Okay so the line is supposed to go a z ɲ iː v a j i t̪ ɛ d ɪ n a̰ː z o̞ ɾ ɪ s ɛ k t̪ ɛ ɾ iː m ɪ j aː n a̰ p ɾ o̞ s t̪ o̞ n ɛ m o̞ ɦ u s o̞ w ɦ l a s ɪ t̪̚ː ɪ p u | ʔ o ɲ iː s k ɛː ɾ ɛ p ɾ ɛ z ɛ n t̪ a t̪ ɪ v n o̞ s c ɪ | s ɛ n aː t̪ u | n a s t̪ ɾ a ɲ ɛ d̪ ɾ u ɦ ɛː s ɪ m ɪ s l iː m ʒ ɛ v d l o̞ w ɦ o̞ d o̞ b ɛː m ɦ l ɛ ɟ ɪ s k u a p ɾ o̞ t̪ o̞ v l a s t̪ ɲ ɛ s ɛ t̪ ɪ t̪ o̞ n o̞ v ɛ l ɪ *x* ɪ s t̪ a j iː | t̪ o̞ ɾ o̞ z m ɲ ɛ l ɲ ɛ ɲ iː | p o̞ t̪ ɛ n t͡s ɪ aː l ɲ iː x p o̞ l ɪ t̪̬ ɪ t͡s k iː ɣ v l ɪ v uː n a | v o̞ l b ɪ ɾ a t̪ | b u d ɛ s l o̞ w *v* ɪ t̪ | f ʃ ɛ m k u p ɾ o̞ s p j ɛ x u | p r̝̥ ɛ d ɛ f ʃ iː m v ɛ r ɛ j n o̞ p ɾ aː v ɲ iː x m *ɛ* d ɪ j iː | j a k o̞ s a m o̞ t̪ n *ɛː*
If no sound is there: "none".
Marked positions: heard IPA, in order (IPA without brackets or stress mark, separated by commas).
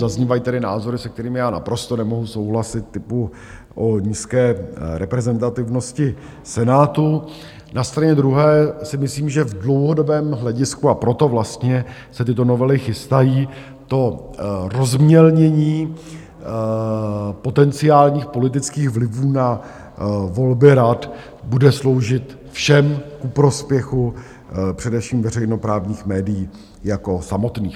x, ʒ, ɛː, iː